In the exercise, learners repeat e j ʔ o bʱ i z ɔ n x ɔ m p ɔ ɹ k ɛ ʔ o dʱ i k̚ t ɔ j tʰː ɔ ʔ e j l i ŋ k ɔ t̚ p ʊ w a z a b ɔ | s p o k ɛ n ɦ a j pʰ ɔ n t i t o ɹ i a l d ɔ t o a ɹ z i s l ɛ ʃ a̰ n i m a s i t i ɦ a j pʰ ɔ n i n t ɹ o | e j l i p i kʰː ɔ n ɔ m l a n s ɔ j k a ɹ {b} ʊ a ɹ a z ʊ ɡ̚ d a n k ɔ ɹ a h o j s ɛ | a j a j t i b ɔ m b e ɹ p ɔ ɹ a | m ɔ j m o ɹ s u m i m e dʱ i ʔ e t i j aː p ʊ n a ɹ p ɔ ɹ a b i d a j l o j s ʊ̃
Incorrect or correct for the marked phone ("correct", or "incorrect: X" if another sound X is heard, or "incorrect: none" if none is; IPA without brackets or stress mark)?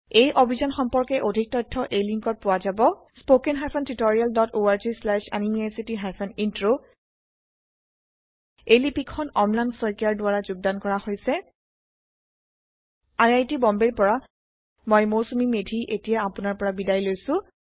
incorrect: d